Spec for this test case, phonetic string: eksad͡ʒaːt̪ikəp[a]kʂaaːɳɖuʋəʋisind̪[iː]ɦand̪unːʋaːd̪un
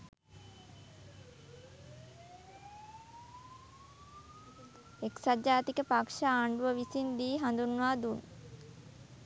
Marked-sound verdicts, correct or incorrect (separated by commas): correct, correct